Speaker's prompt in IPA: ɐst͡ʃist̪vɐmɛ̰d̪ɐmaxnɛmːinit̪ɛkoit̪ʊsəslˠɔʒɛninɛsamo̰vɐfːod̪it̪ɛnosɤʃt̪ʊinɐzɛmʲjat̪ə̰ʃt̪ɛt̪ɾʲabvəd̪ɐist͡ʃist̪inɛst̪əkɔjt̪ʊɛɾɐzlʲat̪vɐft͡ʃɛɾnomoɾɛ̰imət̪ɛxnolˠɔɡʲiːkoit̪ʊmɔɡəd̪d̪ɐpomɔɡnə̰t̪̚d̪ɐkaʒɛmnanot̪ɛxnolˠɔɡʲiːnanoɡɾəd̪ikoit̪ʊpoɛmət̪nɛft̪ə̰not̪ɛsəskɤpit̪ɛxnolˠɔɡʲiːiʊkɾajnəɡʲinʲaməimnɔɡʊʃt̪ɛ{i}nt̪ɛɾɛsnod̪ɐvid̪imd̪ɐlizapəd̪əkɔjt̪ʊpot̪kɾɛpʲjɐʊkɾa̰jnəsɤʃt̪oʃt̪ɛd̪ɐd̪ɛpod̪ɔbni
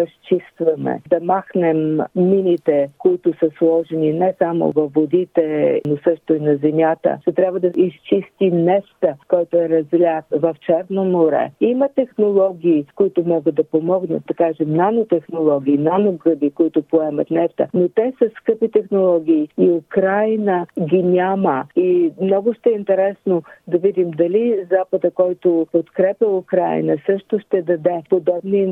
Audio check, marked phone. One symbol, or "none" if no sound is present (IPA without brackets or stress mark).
i